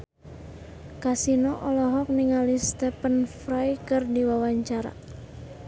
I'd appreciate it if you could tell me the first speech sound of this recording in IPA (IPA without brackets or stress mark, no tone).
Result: k